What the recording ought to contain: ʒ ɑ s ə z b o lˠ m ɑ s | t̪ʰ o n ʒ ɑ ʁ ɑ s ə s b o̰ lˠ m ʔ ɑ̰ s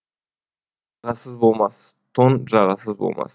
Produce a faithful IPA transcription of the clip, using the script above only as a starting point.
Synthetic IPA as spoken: ʁ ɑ s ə z b o lˠ m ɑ s | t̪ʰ o n ʒ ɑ ʁ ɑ s ə z b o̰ lˠ m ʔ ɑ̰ s